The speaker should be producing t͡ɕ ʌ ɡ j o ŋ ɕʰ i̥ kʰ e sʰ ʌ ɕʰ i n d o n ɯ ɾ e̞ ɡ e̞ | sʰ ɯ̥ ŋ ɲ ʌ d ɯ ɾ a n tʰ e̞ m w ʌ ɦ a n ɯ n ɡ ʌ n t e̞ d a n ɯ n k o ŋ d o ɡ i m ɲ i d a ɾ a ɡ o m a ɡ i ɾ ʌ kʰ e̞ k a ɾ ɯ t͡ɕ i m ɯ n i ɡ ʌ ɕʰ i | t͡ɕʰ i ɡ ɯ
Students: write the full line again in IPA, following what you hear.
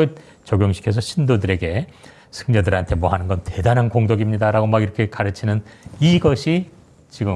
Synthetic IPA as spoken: t͡ɕ ʌ ɡ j o ŋ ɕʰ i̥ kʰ e sʰ ʌ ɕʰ i n d o d ɯ ɾ e̞ ɡ e̞ | sʰ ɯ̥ ŋ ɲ ʌ d ɯ ɾ a n tʰ e̞ m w ʌ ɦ a n ɯ n ɡ ʌ n t e̞ d a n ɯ n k o ŋ d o ɡ i m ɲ i d a ɾ a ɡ o m a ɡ i ɾ ʌ kʰ e̞ k a ɾ ɯ t͡ɕʰ i n ɯ n i ɡ ʌ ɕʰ i | t͡ɕ i ɡ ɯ